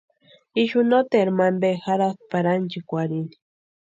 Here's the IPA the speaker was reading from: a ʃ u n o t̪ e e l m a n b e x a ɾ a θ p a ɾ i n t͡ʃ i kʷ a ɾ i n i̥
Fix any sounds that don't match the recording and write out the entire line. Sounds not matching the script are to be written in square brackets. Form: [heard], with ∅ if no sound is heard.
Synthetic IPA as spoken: [i] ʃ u n o t̪ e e [ɾ] m a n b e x a ɾ a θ p a ɾ [a] n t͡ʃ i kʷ a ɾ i n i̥